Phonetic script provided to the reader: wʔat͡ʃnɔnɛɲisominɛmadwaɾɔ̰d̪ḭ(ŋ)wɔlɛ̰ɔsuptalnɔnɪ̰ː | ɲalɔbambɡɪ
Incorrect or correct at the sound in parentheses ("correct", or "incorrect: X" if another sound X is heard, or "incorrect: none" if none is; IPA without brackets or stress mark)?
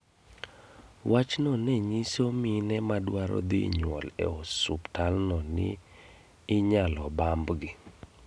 incorrect: ɲ